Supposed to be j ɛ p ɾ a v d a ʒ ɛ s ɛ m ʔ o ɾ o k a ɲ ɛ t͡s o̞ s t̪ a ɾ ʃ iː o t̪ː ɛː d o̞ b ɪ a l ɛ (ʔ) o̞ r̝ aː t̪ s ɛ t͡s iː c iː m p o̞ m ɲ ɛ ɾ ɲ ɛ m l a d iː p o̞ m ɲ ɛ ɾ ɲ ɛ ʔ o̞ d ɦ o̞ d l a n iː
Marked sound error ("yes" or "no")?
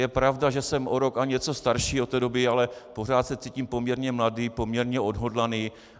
yes